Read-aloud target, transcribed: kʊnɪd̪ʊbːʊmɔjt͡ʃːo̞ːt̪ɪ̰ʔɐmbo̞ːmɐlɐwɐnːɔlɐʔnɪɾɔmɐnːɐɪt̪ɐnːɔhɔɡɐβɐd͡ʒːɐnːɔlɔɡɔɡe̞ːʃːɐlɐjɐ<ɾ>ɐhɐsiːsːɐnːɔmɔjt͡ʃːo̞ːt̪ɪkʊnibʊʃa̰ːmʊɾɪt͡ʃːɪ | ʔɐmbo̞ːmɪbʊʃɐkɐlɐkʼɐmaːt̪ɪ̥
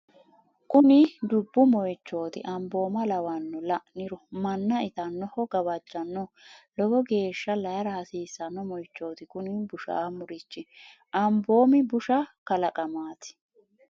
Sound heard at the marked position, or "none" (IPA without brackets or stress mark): ɾ